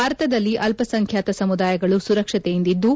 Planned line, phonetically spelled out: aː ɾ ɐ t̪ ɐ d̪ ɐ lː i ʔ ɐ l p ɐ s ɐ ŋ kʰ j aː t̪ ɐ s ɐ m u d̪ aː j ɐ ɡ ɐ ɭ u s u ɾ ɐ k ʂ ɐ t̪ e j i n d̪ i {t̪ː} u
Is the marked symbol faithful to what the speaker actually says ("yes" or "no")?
no